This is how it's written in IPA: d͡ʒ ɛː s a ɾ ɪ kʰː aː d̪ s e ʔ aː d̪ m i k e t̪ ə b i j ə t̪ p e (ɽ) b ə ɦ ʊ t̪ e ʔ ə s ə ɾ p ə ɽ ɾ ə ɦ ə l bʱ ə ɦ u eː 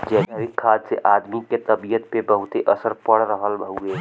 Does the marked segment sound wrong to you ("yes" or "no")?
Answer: yes